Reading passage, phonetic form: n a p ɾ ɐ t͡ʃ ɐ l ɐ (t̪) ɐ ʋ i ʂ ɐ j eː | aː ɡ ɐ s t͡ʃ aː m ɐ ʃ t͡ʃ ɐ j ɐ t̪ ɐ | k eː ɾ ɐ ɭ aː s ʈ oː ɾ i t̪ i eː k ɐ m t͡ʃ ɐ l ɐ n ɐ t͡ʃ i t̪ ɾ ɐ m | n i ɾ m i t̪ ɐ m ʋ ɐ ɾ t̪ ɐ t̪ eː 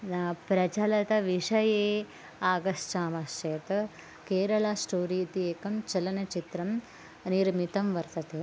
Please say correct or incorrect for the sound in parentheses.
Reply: correct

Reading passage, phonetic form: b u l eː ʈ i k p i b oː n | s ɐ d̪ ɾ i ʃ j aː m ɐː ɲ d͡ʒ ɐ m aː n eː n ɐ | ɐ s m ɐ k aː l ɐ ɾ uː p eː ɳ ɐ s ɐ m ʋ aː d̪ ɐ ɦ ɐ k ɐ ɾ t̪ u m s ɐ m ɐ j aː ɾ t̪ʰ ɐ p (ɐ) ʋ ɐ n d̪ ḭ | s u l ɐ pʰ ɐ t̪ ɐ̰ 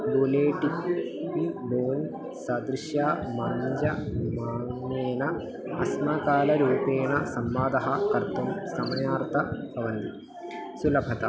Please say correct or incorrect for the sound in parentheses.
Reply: correct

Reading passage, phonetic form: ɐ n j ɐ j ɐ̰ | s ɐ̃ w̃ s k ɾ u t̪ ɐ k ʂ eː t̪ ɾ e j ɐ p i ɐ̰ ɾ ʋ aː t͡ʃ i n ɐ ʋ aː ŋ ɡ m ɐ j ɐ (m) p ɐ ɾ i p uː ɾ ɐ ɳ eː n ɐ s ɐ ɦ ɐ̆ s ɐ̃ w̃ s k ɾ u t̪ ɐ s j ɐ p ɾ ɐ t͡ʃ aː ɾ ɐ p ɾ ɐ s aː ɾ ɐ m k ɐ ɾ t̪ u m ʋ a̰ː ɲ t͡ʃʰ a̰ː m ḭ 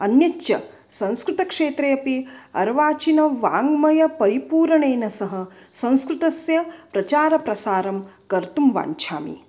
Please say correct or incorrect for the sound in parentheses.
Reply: incorrect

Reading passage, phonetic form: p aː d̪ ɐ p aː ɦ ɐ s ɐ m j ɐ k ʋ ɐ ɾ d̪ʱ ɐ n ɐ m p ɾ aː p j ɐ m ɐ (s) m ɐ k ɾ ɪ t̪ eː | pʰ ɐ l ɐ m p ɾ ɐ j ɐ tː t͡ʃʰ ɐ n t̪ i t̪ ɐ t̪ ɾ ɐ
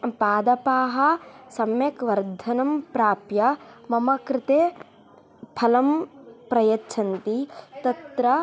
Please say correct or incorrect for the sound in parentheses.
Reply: incorrect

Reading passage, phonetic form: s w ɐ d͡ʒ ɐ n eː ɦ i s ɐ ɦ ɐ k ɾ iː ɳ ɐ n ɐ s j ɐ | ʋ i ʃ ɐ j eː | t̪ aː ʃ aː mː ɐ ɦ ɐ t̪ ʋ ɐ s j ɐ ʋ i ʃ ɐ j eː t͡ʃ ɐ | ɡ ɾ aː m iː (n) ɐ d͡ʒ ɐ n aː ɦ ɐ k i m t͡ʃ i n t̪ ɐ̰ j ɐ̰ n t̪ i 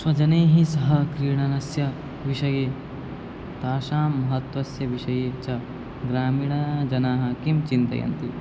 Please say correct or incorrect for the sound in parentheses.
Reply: incorrect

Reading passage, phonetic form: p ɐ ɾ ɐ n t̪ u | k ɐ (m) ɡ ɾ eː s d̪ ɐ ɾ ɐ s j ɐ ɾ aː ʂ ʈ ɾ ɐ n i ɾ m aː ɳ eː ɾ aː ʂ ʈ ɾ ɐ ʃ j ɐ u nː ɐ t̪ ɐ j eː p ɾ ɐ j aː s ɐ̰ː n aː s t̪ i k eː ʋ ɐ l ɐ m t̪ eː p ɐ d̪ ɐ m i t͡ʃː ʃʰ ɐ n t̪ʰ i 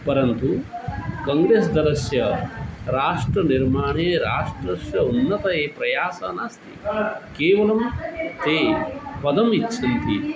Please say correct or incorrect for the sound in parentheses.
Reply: incorrect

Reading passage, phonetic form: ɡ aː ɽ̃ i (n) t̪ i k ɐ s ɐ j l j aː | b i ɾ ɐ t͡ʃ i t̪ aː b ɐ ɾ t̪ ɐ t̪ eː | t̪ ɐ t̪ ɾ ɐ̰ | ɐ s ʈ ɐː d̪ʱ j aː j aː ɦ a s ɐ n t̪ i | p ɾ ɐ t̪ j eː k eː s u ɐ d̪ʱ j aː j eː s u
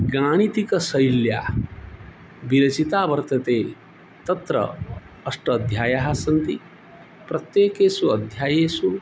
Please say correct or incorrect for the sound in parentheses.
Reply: incorrect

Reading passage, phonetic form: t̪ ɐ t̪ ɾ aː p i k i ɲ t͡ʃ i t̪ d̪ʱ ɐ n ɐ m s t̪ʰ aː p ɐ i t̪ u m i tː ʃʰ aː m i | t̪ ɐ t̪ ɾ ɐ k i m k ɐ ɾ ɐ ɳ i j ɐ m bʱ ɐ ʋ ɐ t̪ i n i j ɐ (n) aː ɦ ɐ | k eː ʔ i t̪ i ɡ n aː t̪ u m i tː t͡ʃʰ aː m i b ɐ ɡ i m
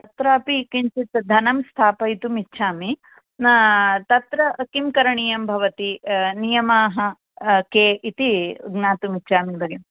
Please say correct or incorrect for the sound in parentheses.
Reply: incorrect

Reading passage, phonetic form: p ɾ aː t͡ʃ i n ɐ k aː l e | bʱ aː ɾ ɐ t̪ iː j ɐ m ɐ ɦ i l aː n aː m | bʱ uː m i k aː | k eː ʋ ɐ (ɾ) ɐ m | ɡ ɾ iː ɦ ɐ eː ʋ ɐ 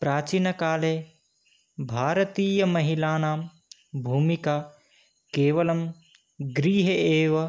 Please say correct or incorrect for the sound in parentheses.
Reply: incorrect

